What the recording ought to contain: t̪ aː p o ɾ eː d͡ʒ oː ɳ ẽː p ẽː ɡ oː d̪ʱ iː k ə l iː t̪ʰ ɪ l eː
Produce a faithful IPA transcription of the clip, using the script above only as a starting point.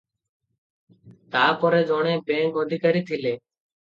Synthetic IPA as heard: t̪ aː p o ɾ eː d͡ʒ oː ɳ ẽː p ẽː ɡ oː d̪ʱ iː k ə ɾ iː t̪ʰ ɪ l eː